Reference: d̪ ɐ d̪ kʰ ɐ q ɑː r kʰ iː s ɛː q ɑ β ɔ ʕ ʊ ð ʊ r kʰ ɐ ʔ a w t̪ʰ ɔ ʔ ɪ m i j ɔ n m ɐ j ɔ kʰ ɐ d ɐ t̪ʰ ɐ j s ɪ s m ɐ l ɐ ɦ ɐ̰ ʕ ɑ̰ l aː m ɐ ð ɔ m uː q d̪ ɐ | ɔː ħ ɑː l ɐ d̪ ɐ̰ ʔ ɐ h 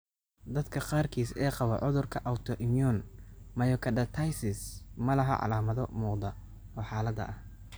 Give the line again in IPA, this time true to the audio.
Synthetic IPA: d̪ ɐ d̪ kʰ ɐ q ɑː r kʰ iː s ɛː q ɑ β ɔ ʕ ʊ ð ʊ r kʰ ɐ ʔ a w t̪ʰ ɔ ʔ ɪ m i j ɔ n m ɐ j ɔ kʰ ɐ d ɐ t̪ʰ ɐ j s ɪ s m ɐ l ɐ ɦ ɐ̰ ʕ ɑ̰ l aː m ɐ ð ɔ m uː q d̪ ɐ | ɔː ħ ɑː l ɐ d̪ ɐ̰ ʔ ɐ h